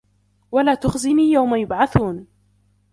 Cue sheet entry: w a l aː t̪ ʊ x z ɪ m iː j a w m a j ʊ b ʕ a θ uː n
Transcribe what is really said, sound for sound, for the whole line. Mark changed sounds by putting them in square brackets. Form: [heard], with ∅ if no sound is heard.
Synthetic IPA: w a l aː t̪ ʊ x z ɪ [n] iː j a w m a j ʊ b ʕ a θ uː n